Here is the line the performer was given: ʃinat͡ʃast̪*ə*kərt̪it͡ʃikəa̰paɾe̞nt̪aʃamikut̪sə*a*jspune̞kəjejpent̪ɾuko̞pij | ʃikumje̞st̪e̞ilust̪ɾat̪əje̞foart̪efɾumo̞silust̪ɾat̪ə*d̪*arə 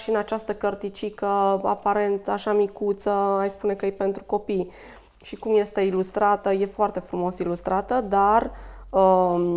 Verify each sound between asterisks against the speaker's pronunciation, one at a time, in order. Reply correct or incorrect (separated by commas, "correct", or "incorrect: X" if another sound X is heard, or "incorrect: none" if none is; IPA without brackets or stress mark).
correct, correct, correct